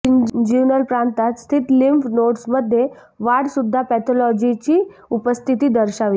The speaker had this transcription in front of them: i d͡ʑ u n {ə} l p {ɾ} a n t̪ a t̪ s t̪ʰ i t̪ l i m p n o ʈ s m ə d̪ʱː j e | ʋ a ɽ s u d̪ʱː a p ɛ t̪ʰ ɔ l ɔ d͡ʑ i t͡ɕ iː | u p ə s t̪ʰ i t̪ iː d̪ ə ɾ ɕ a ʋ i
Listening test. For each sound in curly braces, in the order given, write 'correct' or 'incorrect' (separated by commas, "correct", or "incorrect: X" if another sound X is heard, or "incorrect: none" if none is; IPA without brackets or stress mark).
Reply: correct, correct